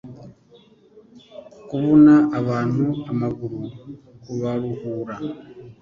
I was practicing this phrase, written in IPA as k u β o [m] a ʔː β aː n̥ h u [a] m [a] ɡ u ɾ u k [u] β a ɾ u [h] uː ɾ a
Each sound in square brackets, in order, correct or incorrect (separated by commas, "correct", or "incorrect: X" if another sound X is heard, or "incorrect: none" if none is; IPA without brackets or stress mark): incorrect: n, correct, correct, correct, correct